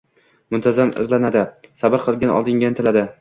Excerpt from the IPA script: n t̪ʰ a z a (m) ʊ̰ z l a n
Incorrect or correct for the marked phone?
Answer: correct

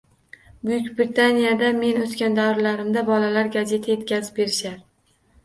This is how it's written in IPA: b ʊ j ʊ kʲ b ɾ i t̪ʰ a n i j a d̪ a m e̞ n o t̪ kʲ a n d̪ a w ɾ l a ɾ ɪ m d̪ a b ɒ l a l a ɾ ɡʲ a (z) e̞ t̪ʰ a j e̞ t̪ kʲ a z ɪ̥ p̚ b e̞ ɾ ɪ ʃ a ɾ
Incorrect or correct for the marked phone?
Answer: correct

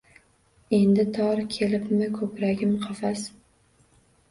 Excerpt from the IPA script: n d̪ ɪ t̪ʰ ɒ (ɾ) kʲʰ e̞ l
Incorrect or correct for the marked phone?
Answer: correct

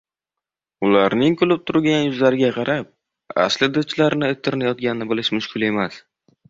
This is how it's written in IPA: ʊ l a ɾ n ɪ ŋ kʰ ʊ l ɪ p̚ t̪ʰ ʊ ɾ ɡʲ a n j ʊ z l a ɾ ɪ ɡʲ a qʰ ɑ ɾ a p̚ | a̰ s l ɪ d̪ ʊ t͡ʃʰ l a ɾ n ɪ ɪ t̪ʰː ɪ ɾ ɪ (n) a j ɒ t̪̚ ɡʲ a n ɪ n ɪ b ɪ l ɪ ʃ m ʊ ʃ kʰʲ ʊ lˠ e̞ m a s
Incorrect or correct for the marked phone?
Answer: correct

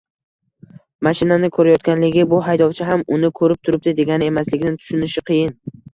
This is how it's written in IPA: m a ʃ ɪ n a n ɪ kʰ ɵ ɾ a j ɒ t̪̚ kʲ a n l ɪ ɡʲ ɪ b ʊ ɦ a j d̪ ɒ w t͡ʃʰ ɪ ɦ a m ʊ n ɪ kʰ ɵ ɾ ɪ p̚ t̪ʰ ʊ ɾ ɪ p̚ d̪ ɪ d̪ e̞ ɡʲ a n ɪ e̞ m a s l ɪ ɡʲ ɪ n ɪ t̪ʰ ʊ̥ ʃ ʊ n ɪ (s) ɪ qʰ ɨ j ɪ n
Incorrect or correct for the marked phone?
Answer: incorrect: ʃ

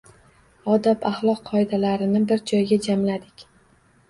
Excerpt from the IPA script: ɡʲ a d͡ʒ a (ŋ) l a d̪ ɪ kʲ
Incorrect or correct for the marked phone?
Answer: incorrect: m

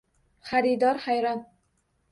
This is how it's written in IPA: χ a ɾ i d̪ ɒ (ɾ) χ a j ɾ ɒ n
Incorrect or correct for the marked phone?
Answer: correct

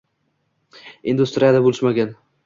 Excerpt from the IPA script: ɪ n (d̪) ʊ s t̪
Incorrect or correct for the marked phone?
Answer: correct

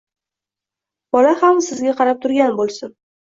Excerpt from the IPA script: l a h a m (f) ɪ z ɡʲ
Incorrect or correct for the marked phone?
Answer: incorrect: s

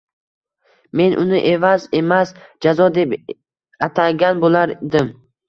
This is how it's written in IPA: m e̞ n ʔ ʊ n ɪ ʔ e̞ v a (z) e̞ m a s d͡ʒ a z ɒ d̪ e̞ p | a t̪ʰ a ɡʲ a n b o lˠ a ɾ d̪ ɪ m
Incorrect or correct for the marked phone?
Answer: correct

